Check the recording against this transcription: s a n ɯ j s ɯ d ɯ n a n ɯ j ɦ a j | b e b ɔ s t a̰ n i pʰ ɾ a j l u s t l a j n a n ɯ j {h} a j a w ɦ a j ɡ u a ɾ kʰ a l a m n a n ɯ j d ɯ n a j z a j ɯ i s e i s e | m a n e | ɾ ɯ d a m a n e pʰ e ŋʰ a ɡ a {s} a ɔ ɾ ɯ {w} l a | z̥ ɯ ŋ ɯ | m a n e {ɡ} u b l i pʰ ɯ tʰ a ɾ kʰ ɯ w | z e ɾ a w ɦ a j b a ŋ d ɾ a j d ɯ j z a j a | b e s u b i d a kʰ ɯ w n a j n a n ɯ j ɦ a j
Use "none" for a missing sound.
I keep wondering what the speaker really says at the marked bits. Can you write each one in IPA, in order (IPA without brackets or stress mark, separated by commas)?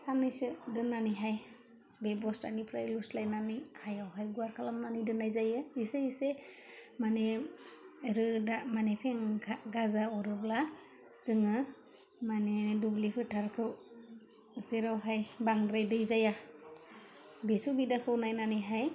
h, z, b, d